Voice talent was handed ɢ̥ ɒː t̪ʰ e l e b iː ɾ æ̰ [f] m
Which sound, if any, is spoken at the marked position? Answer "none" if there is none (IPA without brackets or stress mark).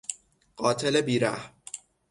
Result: h